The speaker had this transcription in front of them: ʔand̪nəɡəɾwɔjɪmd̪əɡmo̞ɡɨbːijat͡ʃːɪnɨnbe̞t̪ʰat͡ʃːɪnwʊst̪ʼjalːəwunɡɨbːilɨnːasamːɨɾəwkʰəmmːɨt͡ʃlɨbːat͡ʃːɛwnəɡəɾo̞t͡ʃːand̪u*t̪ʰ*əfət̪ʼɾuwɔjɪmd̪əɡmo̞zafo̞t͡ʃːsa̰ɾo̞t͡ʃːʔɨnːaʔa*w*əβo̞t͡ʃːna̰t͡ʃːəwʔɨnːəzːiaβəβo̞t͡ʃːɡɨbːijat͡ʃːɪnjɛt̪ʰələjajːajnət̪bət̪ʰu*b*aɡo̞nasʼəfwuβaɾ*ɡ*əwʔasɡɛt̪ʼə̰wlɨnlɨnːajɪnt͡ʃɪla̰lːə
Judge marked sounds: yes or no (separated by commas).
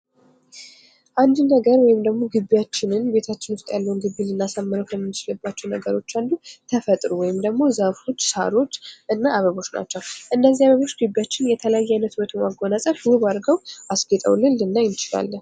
yes, no, no, yes